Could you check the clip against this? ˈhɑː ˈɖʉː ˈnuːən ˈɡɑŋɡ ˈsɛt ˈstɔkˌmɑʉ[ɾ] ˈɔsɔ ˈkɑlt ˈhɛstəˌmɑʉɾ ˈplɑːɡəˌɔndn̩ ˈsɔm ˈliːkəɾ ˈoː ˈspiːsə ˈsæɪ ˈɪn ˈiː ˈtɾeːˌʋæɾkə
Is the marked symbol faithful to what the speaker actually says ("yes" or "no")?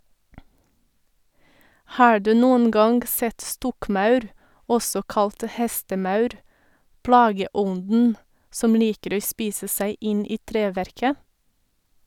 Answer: yes